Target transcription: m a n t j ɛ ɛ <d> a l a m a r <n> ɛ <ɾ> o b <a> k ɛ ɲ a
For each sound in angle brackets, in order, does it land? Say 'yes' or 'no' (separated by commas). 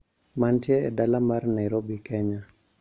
yes, yes, yes, no